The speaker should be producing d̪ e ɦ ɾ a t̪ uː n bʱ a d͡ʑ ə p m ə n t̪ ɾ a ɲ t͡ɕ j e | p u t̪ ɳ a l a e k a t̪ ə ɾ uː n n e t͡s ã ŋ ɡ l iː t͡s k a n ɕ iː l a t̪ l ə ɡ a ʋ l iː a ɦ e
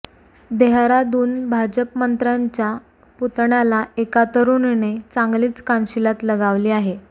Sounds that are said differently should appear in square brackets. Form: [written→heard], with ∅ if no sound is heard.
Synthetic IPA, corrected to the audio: d̪ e ɦ ɾ a [t̪→d̪] uː n bʱ a d͡ʑ ə p m ə n t̪ ɾ a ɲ t͡ɕ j [e→a] | p u t̪ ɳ a l a e k a t̪ ə ɾ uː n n e t͡s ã ŋ ɡ l iː t͡s k a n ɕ [iː→i] l a t̪ l ə ɡ a ʋ l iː a ɦ e

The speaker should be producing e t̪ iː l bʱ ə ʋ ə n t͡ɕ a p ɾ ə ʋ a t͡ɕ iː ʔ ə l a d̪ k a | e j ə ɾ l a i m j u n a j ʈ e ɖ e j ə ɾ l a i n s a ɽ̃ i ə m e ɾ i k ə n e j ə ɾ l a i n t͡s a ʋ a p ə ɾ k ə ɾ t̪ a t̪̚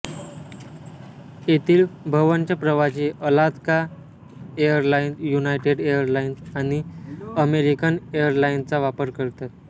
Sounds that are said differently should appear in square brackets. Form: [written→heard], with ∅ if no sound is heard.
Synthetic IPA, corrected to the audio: e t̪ iː l bʱ ə ʋ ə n t͡ɕ a p ɾ ə ʋ a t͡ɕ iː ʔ ə l a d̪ k a | e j ə ɾ l a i [m→n] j u n a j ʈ e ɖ e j ə ɾ l a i n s a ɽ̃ i ə m e ɾ i k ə n e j ə ɾ l a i n t͡s a ʋ a p ə ɾ k ə ɾ t̪ a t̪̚

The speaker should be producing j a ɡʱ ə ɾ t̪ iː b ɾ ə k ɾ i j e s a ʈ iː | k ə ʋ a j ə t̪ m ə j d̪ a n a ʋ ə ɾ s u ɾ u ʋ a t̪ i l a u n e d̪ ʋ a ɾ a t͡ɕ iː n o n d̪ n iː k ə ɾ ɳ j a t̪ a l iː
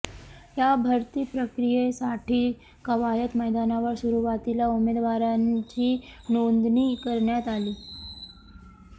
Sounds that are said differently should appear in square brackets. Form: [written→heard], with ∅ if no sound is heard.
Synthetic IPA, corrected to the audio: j a [ɡʱ→bʱ] ə ɾ t̪ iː [b→p] ɾ ə k ɾ i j e s a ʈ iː | k ə ʋ a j ə t̪ m ə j d̪ a n a ʋ ə ɾ s u ɾ u ʋ a t̪ i l a u [n→m] e d̪ ʋ a ɾ a t͡ɕ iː n o n d̪ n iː k ə ɾ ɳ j a t̪ a l iː

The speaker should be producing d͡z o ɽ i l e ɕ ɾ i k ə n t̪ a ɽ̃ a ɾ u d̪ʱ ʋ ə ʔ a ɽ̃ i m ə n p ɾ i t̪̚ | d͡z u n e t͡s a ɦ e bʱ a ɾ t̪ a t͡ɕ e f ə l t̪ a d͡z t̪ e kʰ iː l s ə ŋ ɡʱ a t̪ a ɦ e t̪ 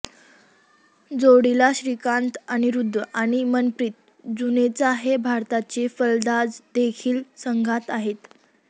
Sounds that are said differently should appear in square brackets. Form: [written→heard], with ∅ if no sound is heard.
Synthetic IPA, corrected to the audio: d͡z o ɽ i l [e→a] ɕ ɾ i k [ə→a] n t̪ a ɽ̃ [a→i] ɾ u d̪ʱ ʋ ə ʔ a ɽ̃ i m ə n p ɾ i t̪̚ | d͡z u n e t͡s a ɦ e bʱ a ɾ t̪ a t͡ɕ e f ə l [t̪→d̪] a d͡z [t̪→d̪] e kʰ iː l s ə ŋ ɡʱ a t̪ a ɦ e t̪

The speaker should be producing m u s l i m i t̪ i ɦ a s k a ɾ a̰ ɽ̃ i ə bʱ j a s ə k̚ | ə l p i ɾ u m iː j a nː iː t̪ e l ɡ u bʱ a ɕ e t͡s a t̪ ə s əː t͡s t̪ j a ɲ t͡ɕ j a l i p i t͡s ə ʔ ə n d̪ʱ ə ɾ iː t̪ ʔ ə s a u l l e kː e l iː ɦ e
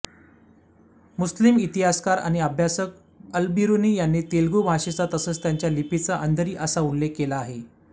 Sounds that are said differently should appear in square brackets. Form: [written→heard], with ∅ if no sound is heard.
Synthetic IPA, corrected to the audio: m u s l i m i t̪ i ɦ a s k a ɾ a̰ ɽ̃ i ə bʱ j a s ə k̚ | ə l [p→b] i ɾ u [m→n] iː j a nː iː t̪ e l ɡ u bʱ a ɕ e t͡s a t̪ ə s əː t͡s t̪ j a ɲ t͡ɕ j a l i p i t͡s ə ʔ ə n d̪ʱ ə ɾ iː [t̪→∅] ʔ ə s a u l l e kː e l [iː→aː] ɦ e

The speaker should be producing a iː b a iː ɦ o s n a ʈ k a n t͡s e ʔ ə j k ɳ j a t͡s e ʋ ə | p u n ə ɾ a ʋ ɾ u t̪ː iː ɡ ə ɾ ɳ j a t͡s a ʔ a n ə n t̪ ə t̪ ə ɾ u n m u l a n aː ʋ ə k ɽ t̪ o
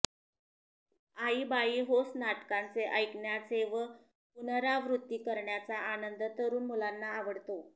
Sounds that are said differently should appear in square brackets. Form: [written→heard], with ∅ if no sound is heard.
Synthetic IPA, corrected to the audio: a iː b a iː ɦ o s n a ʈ k a n t͡s e ʔ ə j k ɳ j a t͡s e ʋ ə | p u n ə ɾ a ʋ ɾ u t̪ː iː [ɡ→k] ə ɾ ɳ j a t͡s a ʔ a n ə n [t̪→d̪] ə t̪ ə ɾ [u→uː] n m u l a [n→nː] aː ʋ ə [k→∅] ɽ t̪ o

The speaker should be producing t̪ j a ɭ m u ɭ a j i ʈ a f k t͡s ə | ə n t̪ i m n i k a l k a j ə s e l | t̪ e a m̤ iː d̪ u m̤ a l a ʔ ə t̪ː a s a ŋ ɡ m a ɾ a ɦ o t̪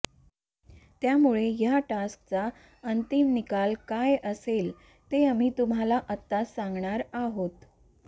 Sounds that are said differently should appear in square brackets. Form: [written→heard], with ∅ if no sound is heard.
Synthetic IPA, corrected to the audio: t̪ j a [ɭ→∅] m u ɭ [a→e] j [i→a] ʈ a [f→s] k t͡s [ə→a] | ə n t̪ i m n i k a l k a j ə s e l | t̪ e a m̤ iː [d̪→t̪] u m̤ a l a ʔ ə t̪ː a s a ŋ ɡ [m→ɳ] a ɾ a ɦ o t̪

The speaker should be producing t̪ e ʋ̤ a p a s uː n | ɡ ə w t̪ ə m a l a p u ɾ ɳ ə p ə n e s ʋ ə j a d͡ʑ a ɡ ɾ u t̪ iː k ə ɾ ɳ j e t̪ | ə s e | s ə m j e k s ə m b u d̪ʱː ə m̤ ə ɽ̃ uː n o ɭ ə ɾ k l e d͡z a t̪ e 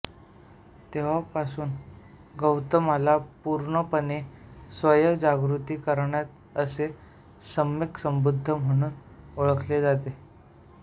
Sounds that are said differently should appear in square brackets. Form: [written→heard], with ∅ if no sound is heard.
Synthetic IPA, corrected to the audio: t̪ e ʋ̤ a p a s uː n | ɡ ə w t̪ ə m a l a p u ɾ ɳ ə p ə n e s ʋ ə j [a→ə] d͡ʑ a ɡ ɾ u t̪ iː k ə ɾ ɳ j [e→a] t̪ | ə s e | s ə m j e k s ə m b u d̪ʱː ə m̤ ə ɽ̃ uː n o ɭ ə [ɾ→∅] k l e d͡z a t̪ e

